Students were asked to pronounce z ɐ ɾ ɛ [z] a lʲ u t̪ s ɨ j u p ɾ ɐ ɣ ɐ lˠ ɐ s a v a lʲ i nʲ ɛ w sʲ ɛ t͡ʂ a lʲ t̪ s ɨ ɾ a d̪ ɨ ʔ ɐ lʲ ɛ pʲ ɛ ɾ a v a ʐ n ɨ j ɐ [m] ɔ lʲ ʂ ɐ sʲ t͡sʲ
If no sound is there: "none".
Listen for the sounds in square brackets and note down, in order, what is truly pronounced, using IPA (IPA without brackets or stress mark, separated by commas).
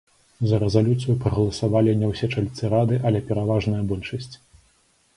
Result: z, b